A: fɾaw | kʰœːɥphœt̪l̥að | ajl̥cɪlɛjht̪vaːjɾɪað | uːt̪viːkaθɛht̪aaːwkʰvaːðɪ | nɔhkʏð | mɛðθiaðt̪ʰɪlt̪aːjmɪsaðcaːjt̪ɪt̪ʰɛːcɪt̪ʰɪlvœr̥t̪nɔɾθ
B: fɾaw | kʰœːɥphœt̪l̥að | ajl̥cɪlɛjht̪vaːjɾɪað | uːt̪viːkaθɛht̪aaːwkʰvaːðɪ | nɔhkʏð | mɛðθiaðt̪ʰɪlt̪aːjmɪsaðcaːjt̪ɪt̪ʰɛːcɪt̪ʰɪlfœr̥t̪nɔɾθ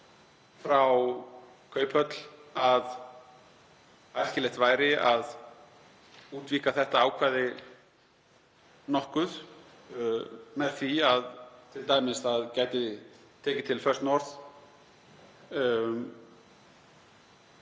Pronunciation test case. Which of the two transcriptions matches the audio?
B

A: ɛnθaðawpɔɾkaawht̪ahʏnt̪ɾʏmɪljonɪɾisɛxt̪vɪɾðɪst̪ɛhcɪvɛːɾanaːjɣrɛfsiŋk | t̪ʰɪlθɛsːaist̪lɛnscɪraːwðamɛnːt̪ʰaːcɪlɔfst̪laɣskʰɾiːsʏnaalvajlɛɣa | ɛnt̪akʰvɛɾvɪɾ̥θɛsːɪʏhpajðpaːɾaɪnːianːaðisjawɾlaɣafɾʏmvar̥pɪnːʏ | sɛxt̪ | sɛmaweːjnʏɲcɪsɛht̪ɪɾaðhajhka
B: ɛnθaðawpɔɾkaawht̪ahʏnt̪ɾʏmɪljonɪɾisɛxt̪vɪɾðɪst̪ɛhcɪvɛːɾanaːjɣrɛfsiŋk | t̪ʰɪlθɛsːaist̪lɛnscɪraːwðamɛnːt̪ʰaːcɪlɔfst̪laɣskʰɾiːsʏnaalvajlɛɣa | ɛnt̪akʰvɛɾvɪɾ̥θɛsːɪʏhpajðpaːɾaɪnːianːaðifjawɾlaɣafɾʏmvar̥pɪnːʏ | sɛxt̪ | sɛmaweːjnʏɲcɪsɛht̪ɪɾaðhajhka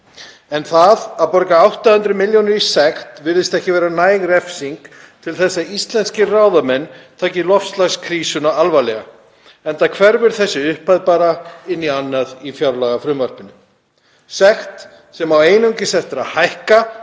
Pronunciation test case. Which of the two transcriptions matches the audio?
B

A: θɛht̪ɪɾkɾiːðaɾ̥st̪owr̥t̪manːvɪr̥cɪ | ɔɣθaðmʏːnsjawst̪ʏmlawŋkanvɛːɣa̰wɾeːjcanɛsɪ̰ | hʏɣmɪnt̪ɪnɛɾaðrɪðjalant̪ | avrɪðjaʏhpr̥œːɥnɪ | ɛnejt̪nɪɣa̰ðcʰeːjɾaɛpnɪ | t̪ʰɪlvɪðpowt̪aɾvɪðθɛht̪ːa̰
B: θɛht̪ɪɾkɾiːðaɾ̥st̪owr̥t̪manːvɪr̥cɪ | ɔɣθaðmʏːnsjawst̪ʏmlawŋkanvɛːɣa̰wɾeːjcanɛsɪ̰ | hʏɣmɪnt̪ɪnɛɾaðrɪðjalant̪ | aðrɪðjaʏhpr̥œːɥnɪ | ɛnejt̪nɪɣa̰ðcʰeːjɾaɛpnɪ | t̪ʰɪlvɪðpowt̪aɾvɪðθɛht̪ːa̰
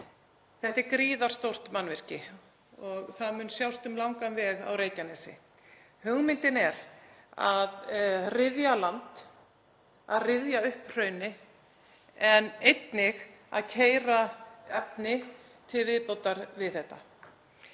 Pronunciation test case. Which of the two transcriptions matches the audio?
B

